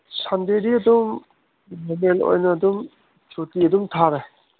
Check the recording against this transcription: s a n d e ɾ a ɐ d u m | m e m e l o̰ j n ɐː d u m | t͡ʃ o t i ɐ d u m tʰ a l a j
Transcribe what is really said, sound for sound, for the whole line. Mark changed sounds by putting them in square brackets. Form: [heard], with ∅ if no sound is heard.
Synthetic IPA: s a n d e ɾ [i] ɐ d u m | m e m e l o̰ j n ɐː d u m | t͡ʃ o t i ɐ d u m tʰ a [ɾ] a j